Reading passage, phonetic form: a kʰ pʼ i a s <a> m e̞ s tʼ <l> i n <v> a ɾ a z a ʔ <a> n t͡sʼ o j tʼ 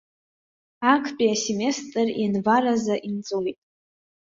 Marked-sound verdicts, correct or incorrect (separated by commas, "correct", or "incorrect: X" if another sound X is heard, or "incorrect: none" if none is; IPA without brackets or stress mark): incorrect: e, incorrect: r, correct, incorrect: i